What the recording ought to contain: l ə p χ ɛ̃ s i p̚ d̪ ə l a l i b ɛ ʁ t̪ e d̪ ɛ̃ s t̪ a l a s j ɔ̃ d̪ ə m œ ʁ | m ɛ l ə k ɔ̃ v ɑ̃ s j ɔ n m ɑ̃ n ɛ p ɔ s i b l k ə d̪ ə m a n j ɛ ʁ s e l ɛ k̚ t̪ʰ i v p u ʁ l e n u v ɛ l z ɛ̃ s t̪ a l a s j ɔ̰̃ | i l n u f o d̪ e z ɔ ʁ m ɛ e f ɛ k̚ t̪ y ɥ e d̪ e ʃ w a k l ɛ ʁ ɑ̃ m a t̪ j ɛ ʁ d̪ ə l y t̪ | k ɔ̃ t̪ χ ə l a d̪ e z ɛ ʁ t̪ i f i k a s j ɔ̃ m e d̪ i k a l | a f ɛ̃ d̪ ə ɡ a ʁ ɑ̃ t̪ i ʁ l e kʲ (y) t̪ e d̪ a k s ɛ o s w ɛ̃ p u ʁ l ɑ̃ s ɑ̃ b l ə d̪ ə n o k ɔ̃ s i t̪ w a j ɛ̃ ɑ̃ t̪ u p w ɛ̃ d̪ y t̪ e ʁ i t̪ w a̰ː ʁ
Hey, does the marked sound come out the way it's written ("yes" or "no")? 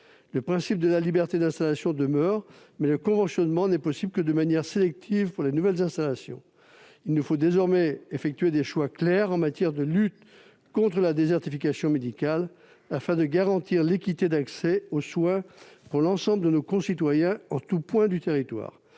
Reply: no